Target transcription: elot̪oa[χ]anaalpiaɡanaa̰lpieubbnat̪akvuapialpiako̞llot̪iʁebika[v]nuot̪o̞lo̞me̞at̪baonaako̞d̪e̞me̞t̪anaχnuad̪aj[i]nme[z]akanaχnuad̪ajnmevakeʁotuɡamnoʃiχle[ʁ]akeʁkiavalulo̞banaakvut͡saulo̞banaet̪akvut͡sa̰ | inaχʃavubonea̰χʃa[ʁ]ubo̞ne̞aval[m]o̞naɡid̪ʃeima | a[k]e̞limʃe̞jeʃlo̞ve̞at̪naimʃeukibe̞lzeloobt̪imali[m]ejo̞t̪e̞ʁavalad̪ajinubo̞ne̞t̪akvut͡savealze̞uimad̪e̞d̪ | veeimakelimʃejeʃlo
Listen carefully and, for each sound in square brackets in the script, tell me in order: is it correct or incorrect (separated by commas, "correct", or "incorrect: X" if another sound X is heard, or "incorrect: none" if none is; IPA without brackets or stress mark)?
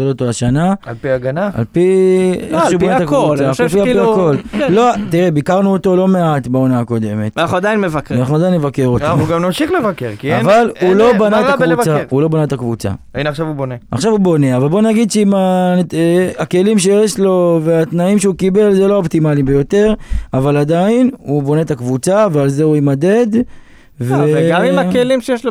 incorrect: ʃ, incorrect: ʁ, correct, incorrect: v, incorrect: v, incorrect: v, incorrect: b, correct, incorrect: b